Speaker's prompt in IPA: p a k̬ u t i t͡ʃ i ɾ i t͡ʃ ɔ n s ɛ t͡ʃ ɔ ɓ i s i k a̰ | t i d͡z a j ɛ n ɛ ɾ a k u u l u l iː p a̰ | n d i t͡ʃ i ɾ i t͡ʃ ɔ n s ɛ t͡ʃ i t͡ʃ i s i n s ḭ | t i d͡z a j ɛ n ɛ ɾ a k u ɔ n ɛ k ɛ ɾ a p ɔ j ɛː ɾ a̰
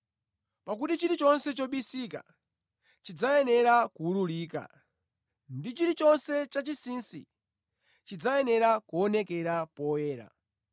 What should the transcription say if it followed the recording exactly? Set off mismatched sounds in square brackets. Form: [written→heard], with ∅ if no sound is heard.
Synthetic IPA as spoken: p a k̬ u t i t͡ʃ i ɾ i t͡ʃ ɔ n s ɛ t͡ʃ ɔ ɓ i s i k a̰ | [t→t͡ʃ] i d͡z a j ɛ n ɛ ɾ a k u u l u l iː [p→k] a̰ | n d i t͡ʃ i ɾ i t͡ʃ ɔ n s ɛ t͡ʃ [i→a] t͡ʃ i s i n s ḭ | [t→t͡ʃ] i d͡z a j ɛ n ɛ ɾ a k u ɔ n ɛ k ɛ ɾ a p ɔ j ɛː ɾ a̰